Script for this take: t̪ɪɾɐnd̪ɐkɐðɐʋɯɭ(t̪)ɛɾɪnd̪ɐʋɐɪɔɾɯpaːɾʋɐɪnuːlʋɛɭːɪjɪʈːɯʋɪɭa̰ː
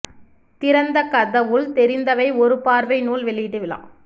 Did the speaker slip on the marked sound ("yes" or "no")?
no